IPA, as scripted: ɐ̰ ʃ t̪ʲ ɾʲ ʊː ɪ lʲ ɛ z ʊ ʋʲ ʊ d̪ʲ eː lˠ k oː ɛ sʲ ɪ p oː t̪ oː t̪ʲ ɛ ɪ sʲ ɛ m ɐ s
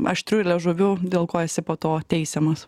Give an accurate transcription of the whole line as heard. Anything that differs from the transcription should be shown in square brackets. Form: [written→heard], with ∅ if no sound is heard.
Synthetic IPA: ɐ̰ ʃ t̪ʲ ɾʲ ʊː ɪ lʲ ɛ [z→ʒ] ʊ ʋʲ ʊ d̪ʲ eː lˠ k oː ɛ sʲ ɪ p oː t̪ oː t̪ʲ ɛ ɪ sʲ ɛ m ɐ s